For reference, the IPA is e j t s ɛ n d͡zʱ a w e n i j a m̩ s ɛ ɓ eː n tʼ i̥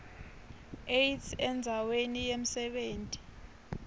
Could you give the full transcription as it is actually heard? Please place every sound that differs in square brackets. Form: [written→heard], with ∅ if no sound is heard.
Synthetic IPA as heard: e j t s ɛ n d͡zʱ a w e n i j [a→e] m̩ s ɛ ɓ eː n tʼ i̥